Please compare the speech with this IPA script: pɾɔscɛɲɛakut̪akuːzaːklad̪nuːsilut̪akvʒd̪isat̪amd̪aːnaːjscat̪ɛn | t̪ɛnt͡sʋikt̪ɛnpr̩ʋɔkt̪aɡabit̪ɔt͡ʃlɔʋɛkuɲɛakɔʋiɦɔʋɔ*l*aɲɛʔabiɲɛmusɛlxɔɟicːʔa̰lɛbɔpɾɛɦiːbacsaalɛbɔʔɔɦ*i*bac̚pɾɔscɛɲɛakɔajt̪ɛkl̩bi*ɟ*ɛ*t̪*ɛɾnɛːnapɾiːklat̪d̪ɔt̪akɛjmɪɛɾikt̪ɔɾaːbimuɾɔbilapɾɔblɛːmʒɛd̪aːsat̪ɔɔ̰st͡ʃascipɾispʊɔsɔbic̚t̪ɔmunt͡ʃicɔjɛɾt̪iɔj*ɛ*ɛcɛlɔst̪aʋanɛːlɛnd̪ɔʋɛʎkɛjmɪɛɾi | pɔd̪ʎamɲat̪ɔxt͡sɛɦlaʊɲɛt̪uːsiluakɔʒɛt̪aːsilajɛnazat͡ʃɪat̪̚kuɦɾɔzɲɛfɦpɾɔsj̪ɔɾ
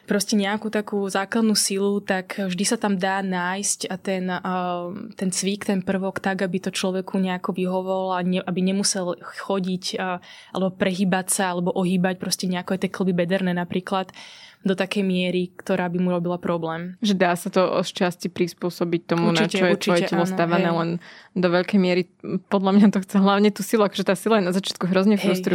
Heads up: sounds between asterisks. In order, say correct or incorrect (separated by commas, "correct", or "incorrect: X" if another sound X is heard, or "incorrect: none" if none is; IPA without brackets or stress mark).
correct, incorrect: iː, incorrect: b, incorrect: d̪, correct